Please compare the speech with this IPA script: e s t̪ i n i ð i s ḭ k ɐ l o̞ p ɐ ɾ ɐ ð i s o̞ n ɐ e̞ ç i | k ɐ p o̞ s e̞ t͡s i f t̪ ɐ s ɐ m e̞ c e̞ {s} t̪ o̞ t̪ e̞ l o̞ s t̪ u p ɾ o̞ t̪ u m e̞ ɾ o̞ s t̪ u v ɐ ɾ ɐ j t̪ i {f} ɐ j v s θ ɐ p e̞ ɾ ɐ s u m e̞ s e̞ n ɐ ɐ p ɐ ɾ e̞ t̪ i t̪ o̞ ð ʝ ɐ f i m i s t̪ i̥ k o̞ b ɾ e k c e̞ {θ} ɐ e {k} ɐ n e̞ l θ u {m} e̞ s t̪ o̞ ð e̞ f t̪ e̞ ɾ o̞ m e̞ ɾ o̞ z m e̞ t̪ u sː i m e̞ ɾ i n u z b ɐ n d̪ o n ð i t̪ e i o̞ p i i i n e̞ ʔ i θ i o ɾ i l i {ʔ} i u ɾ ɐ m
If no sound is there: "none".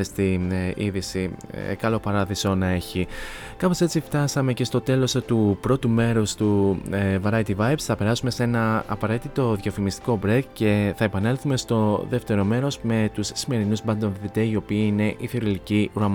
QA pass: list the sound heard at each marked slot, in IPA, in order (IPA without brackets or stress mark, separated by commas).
s, v, θ, p, m, c